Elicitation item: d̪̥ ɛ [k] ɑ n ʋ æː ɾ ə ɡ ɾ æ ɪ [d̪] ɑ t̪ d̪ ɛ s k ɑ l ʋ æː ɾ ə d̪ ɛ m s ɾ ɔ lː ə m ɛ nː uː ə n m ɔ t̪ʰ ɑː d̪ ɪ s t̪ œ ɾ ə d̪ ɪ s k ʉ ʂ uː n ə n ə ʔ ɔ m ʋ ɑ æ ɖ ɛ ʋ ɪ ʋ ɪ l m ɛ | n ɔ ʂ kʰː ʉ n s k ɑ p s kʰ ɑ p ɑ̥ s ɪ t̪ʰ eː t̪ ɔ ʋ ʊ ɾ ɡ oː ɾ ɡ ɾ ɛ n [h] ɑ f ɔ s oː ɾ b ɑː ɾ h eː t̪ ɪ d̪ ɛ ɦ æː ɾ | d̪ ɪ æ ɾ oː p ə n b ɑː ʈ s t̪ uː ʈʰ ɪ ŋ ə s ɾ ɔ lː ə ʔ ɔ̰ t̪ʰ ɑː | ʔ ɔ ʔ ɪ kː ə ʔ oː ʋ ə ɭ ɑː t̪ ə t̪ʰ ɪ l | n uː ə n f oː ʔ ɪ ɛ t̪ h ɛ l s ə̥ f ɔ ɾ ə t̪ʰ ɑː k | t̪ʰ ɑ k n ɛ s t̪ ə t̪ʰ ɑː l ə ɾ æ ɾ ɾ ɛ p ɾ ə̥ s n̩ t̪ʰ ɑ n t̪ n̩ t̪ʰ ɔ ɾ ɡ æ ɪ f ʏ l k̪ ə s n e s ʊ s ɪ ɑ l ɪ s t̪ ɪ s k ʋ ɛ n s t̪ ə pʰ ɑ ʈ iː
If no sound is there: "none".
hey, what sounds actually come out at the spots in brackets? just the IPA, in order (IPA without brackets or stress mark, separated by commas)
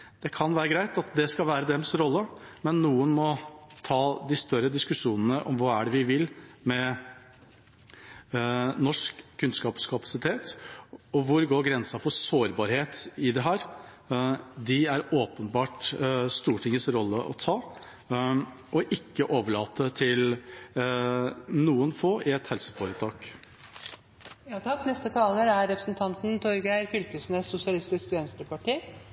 kʰ, t̪, s